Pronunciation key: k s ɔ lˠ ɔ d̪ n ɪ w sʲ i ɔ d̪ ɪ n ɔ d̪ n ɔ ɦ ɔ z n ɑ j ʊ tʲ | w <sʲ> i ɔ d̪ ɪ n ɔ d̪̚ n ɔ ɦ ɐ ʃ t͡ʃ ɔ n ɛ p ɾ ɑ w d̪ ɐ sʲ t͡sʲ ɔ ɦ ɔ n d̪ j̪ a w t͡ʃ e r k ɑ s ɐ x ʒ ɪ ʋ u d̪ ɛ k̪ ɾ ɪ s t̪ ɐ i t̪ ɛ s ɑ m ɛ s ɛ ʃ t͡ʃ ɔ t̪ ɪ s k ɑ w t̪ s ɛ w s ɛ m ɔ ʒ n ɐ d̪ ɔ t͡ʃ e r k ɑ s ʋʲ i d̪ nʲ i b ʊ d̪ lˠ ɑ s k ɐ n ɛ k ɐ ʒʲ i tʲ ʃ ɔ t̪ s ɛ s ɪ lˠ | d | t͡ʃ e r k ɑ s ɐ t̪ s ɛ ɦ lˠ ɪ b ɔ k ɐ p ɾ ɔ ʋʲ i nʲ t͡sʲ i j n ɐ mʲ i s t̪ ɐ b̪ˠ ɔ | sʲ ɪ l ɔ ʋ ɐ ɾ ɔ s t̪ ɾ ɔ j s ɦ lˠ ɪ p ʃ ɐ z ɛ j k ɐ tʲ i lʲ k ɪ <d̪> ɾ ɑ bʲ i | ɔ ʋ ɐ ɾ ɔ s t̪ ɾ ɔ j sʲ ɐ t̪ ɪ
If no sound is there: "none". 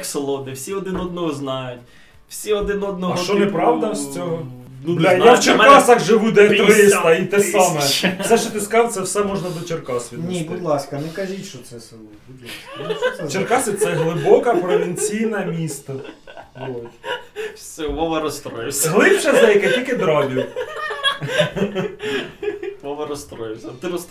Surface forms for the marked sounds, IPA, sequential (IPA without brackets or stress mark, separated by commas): sʲ, d̪